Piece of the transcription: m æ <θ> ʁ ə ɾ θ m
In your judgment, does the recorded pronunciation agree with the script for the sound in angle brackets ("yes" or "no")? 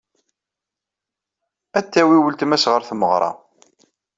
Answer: no